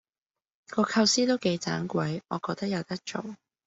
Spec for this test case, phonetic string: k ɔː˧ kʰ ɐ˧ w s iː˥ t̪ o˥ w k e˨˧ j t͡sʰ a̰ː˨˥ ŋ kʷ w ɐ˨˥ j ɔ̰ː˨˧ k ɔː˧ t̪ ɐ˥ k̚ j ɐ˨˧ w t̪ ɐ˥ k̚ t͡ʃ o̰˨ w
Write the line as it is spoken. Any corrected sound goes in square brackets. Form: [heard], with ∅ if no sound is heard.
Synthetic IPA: k ɔː˧ kʰ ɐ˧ w s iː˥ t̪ o˥ w k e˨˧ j [t͡s] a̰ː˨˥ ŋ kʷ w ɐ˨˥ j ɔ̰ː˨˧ k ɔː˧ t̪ ɐ˥ k̚ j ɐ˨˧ w t̪ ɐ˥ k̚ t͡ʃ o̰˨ w